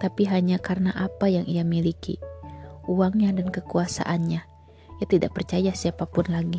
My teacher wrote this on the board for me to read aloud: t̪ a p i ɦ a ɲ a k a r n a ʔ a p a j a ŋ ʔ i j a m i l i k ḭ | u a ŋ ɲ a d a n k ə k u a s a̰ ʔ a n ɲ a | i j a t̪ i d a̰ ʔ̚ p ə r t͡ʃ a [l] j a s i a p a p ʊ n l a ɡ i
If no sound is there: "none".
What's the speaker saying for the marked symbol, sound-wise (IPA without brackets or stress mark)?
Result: none